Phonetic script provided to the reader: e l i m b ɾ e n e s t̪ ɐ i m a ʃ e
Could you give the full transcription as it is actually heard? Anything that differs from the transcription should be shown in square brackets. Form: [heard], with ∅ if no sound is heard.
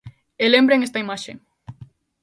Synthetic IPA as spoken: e l [e] m b ɾ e [ŋ] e s t̪ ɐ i m a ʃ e